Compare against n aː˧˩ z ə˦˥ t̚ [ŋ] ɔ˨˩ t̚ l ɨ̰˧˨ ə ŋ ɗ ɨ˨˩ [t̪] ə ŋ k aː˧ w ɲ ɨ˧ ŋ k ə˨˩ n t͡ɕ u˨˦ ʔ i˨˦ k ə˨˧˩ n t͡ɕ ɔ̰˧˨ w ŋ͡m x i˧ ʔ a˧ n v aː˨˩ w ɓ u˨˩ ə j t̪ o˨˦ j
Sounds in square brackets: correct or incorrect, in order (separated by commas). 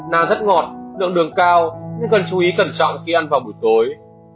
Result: correct, incorrect